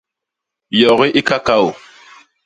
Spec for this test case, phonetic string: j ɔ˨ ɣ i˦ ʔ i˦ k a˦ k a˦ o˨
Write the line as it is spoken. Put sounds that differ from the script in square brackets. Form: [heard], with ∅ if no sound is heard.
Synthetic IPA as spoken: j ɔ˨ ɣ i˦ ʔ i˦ k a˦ k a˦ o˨